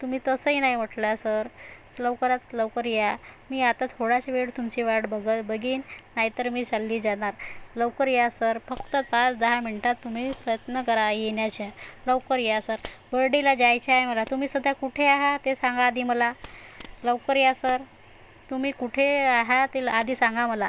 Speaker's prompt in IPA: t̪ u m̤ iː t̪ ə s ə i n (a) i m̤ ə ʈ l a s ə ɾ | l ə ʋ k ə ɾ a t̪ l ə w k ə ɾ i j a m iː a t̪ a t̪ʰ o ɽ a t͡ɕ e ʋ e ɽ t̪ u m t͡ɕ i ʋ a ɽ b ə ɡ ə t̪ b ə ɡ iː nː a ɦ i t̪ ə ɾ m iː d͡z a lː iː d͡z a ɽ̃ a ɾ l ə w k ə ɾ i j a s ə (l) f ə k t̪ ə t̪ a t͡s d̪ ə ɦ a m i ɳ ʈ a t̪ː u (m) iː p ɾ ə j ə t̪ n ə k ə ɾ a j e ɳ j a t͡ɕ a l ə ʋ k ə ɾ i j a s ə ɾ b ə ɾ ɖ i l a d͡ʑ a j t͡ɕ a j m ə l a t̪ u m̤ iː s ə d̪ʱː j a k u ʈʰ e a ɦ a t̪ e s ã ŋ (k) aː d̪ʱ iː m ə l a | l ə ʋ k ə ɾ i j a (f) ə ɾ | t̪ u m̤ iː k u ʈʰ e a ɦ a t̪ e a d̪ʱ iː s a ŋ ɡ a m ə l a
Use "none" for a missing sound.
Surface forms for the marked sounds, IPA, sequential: a, ɾ, m, ɡ, s

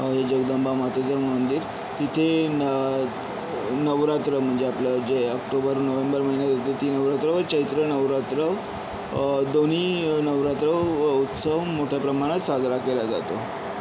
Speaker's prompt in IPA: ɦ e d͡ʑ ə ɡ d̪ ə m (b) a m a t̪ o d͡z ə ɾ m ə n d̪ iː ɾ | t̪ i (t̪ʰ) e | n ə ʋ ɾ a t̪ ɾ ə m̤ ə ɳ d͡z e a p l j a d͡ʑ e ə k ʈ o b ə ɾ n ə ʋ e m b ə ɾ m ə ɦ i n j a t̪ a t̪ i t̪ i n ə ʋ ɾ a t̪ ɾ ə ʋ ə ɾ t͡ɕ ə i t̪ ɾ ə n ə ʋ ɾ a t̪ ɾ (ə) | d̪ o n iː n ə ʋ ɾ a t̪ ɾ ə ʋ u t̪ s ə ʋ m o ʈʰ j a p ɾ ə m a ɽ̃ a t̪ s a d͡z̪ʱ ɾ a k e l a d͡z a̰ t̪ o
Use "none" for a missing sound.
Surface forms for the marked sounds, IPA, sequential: b, t̪ʰ, ə

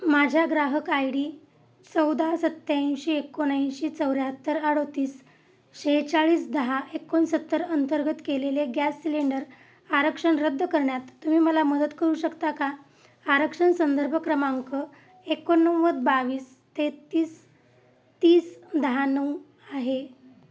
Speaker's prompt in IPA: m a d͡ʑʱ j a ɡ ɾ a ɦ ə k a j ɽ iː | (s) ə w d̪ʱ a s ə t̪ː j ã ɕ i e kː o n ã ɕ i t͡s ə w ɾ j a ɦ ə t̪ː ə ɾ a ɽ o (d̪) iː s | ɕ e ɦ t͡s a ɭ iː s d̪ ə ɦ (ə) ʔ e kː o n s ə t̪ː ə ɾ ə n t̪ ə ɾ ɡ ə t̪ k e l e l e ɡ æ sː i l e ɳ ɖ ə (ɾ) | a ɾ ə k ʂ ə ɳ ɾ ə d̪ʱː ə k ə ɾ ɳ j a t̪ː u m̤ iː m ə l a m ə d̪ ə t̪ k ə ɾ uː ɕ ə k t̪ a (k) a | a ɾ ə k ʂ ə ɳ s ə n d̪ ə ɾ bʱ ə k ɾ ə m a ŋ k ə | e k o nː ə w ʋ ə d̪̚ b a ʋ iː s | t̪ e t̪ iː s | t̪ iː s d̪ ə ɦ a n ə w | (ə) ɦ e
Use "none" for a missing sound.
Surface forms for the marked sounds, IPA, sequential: t͡s, t̪, a, ɾ, k, a

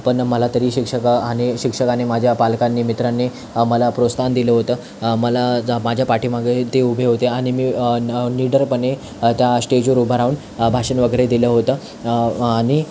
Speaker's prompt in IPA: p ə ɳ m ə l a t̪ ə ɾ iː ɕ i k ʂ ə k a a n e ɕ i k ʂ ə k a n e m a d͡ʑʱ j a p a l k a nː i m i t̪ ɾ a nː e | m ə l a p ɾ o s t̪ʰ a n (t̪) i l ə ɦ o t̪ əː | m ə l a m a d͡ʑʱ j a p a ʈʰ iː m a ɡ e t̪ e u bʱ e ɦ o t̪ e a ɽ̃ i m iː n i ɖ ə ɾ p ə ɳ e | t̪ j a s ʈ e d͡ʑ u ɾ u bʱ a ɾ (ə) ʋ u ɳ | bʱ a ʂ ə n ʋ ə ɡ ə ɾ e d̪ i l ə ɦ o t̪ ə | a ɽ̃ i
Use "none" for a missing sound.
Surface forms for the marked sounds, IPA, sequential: d̪, a

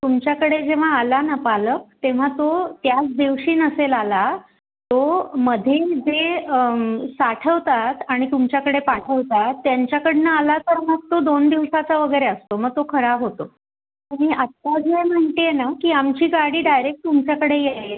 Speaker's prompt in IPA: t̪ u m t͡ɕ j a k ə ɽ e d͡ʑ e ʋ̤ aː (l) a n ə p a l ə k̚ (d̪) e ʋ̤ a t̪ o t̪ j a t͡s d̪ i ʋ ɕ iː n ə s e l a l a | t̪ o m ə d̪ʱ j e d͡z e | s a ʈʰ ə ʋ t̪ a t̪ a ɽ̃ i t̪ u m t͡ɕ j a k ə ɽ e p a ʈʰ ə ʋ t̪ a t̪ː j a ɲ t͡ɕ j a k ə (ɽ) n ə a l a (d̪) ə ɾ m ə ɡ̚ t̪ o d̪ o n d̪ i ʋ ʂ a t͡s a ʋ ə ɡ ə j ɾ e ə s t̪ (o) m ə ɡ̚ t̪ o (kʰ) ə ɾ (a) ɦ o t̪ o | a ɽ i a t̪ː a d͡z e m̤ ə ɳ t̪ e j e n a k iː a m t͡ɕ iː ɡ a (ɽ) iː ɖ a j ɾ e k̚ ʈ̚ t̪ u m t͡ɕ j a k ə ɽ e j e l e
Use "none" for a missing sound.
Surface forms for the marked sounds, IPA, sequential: l, t̪, ɽ, t̪, o, kʰ, a, ɽ

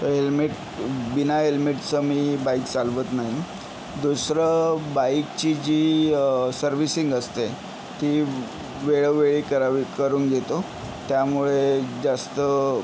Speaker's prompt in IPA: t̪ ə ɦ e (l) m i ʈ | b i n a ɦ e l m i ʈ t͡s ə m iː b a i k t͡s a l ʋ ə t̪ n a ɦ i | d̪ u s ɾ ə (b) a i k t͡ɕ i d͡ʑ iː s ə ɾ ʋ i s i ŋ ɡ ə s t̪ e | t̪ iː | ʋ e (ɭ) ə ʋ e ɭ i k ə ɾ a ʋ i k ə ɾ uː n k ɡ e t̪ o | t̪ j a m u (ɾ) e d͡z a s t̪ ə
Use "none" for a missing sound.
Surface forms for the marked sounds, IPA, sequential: l, b, ɭ, ɭ

